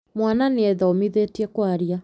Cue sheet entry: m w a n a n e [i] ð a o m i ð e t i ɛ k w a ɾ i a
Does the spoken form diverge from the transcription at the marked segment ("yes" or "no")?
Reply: yes